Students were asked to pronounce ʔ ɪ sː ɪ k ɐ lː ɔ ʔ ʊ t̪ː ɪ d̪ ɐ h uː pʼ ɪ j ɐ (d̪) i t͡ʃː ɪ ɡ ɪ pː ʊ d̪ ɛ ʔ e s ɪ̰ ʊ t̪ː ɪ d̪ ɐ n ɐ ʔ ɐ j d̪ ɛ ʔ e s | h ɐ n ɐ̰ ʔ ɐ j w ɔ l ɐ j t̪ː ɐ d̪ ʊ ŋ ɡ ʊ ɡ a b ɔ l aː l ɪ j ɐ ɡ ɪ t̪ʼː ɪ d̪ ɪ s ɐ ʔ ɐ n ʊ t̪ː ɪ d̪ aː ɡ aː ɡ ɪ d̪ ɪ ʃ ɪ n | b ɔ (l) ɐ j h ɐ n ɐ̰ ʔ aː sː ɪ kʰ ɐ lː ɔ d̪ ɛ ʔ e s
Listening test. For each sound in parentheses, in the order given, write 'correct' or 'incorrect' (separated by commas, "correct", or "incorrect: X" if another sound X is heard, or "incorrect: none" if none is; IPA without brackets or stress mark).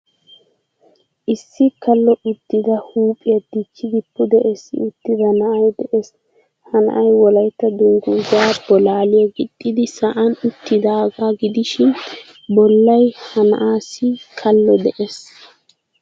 correct, incorrect: lː